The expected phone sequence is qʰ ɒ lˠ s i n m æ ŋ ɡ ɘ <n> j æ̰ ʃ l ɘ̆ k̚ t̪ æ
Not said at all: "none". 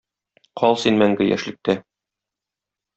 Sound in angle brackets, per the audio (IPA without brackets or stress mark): none